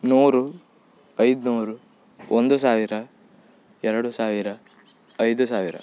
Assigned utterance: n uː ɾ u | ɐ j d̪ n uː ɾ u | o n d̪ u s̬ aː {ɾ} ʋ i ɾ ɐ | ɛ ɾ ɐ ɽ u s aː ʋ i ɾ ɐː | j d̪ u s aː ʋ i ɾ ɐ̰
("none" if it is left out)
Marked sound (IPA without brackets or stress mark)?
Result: none